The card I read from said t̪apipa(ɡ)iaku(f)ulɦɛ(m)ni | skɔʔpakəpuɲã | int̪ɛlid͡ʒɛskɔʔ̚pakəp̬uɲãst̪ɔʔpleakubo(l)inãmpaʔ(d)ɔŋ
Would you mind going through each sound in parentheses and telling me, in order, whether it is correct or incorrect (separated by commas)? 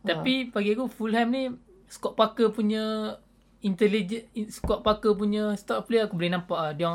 correct, correct, correct, correct, correct